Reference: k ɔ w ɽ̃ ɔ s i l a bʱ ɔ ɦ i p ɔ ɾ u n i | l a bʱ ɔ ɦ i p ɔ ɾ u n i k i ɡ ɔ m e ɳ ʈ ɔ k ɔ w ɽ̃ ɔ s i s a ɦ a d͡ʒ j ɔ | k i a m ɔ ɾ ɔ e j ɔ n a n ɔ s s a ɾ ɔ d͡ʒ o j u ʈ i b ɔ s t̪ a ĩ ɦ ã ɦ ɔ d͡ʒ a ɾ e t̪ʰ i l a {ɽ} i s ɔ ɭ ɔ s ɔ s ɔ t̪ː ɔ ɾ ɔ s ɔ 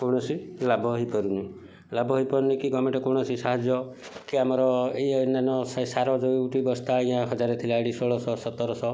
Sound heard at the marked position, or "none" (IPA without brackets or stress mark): ɽ